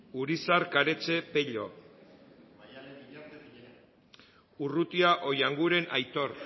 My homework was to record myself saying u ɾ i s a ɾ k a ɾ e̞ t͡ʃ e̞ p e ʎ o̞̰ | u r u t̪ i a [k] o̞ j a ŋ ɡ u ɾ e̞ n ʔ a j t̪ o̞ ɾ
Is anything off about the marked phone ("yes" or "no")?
yes